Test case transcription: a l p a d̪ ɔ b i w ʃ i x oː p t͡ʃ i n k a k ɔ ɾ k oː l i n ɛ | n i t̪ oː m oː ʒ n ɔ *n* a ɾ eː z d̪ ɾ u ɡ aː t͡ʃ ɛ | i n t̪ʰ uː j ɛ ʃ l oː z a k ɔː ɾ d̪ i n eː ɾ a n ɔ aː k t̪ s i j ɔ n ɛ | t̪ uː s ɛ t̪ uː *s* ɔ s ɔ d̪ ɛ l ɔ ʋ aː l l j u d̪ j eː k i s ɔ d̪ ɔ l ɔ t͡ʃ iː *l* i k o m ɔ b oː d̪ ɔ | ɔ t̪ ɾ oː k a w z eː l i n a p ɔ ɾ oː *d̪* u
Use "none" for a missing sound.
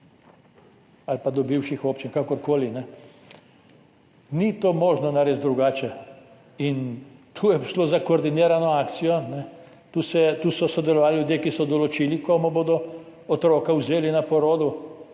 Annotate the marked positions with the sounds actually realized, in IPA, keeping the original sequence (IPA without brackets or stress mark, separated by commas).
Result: n, s, l, d̪